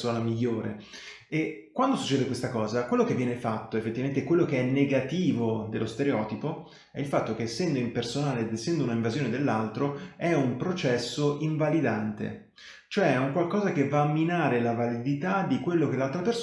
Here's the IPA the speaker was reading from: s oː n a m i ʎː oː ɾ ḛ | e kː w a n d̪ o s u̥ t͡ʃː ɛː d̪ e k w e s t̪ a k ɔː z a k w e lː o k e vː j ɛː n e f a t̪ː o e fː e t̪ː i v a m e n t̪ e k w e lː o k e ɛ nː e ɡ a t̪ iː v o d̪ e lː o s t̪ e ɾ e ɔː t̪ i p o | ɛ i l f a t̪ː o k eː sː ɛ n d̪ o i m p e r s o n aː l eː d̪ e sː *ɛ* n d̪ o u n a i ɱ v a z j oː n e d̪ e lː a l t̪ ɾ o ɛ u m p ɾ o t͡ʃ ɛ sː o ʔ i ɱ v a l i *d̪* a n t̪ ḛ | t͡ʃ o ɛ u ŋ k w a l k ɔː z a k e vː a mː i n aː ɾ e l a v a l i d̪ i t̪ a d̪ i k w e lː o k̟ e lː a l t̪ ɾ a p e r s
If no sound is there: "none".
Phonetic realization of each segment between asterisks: ɛ, d̪

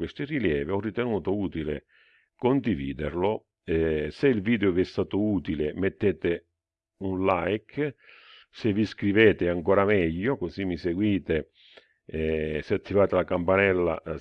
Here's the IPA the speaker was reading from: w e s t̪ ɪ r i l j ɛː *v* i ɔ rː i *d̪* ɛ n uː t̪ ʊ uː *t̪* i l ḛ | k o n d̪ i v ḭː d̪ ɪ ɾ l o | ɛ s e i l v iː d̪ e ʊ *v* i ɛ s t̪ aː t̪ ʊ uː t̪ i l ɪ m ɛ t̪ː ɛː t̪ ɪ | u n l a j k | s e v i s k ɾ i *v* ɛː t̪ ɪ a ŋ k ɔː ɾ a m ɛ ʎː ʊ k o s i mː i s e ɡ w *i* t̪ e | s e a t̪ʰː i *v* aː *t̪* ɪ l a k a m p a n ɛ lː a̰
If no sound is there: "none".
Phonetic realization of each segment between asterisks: v, t̪, t̪, v, v, iː, v, t̪

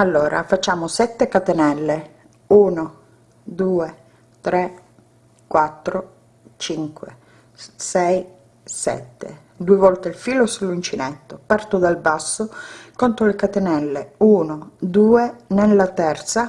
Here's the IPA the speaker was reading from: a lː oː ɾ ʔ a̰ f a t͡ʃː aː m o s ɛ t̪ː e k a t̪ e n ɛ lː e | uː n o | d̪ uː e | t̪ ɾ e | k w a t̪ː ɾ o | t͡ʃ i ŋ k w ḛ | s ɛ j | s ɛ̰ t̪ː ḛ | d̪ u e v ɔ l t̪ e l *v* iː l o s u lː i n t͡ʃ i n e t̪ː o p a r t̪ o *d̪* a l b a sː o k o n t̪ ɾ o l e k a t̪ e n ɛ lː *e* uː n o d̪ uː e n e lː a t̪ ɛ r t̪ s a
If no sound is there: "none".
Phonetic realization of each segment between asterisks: f, d̪, e

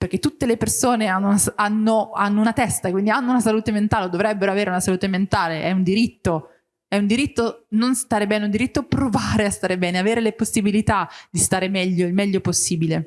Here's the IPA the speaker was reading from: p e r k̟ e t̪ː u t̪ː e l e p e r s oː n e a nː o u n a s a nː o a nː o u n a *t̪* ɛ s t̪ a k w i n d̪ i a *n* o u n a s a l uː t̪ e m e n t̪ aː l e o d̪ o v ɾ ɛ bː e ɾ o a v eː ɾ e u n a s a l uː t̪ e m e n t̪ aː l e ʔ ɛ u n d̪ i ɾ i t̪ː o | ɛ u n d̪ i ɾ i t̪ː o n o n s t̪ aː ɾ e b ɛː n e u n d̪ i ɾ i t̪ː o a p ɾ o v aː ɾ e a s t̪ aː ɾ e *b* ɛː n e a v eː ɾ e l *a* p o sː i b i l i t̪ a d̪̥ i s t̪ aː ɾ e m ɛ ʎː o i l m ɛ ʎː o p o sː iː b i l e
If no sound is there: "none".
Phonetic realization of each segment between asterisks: t̪, nː, b, e

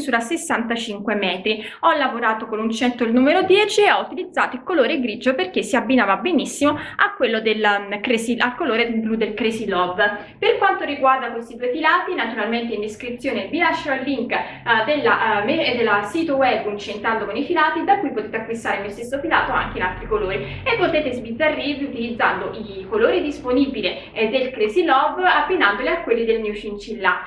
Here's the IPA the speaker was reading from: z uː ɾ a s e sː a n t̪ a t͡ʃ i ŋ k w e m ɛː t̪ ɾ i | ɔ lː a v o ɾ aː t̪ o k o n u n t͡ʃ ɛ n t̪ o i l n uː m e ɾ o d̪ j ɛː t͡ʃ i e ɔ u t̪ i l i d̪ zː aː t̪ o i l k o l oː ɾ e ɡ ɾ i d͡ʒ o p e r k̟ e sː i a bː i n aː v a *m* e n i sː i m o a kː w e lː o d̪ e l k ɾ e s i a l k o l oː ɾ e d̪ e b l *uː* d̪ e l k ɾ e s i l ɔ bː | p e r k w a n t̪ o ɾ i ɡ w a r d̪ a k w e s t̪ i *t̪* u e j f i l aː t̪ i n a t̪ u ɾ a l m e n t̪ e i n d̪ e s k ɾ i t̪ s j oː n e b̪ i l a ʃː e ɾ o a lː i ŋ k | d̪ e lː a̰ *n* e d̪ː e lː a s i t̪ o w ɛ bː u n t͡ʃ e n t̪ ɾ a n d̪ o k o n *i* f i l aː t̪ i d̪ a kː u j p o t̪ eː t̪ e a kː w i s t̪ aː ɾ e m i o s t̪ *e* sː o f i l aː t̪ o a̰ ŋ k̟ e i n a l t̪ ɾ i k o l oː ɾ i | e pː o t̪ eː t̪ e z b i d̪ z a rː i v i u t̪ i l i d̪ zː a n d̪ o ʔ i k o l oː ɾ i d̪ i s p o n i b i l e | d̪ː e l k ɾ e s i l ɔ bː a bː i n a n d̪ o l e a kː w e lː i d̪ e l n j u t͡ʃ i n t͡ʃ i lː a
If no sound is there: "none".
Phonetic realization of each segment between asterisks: b, u, d̪, m, i, e

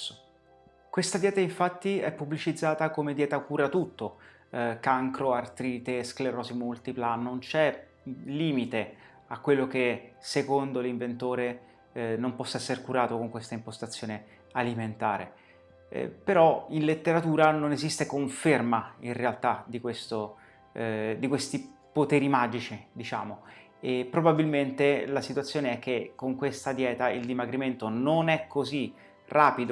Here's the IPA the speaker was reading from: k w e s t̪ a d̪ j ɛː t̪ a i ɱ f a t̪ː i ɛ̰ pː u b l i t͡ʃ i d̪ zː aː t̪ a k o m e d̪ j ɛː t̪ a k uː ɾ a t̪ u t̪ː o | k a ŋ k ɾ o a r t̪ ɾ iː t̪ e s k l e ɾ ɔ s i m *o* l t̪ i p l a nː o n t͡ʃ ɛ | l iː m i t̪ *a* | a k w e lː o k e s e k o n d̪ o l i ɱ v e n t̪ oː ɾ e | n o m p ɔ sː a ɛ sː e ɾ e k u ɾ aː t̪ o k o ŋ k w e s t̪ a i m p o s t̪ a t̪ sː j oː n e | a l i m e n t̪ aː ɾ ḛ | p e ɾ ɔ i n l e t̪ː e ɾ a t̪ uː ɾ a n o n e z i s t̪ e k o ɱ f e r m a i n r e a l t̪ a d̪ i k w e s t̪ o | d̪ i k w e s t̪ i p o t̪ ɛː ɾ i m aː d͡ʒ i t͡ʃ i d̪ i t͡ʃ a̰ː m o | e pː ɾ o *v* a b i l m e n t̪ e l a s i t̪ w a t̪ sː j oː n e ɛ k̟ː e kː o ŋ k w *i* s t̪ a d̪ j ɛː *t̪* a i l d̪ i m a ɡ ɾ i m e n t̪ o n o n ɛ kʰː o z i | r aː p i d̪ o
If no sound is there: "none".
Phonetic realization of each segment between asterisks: u, e, b, e, t̪

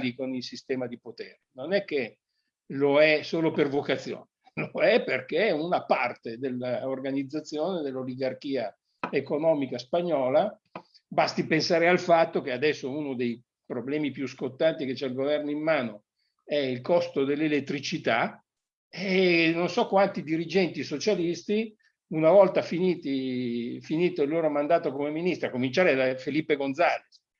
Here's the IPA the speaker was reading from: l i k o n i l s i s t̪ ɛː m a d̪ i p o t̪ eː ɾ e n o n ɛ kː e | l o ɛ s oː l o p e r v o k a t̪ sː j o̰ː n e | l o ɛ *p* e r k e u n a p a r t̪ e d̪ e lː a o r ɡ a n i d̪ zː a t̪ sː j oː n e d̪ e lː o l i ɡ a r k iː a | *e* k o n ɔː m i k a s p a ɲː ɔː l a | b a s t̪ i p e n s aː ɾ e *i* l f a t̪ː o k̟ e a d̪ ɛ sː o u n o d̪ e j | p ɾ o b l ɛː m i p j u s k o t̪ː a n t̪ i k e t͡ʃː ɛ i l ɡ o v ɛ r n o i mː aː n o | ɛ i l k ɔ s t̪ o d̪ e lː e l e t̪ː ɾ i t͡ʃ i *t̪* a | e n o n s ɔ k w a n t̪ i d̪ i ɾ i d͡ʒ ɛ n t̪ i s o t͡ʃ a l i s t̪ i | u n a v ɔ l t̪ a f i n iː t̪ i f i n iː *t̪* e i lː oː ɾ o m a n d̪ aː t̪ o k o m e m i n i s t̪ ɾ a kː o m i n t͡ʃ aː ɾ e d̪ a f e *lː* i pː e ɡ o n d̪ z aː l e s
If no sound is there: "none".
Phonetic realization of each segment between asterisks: p, e, a, t̪, t̪, l

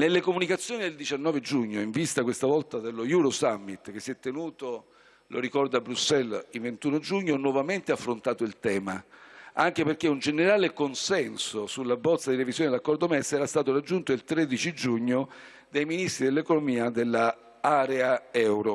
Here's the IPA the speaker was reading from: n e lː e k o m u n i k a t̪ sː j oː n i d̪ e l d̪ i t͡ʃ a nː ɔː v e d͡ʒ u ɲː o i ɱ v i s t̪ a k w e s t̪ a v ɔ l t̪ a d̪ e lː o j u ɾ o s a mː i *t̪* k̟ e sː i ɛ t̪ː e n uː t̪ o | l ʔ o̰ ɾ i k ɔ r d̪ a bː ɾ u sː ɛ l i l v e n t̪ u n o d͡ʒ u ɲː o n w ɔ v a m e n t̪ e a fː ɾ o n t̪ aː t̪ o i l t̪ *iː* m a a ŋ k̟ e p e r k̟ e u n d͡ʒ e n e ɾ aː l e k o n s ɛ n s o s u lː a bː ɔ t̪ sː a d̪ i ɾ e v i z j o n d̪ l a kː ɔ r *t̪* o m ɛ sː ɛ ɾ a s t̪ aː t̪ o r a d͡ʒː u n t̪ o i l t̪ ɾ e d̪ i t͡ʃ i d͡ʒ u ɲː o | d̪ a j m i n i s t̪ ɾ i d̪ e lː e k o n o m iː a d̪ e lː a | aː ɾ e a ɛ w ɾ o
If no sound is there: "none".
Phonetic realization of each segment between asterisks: t̪, ɛː, d̪

